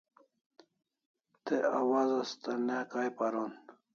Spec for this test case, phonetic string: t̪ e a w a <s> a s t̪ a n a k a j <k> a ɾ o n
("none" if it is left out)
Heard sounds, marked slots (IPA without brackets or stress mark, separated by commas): z, p